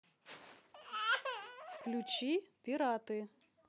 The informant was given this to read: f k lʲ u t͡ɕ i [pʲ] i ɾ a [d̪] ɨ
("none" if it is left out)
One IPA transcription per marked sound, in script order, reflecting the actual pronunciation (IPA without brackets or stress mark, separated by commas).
pʲ, t̪